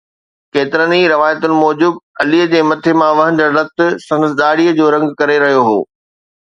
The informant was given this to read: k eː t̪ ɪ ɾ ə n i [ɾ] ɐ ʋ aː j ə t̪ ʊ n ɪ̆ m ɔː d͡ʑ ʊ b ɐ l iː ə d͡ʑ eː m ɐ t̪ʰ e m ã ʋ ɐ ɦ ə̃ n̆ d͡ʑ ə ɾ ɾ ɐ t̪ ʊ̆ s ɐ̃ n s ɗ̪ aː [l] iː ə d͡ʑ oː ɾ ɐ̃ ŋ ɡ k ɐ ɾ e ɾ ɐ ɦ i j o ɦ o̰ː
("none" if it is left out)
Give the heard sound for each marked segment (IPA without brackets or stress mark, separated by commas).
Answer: ɾ, ɽ